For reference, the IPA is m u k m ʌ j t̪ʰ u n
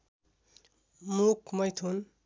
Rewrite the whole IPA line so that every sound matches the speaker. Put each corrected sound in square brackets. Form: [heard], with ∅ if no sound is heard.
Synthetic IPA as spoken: m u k m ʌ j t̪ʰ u n